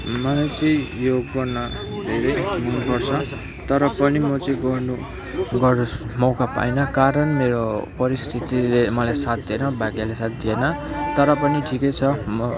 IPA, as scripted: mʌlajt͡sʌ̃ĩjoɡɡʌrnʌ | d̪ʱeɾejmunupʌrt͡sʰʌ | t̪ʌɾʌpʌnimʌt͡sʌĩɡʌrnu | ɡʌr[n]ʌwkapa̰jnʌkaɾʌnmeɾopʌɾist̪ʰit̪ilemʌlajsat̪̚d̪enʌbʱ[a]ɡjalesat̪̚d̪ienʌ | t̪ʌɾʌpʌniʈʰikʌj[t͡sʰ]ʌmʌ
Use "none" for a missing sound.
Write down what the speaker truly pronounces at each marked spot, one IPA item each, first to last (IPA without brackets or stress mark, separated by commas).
m, a, t͡sʰ